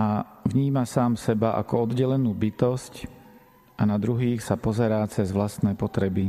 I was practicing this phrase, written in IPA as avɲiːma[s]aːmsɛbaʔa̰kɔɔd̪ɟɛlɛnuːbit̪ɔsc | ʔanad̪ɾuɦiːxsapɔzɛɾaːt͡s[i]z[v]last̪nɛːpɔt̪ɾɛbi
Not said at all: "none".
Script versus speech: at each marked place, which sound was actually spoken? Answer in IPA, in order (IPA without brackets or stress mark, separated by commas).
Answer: s, ɛ, ʋ